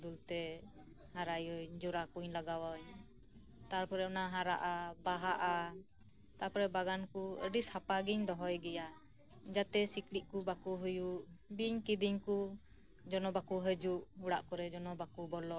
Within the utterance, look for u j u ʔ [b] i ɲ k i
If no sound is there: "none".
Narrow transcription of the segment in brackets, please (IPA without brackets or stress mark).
b